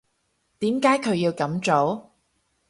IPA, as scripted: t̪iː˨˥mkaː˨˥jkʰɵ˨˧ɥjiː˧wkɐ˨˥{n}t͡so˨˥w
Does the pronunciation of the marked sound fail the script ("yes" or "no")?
yes